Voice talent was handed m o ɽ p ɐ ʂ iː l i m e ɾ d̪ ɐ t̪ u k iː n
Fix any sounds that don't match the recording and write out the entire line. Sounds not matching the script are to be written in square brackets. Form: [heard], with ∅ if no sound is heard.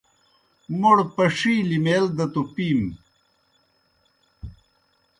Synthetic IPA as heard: m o ɽ p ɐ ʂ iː l i m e [l] d̪ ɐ t̪ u [p] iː [m]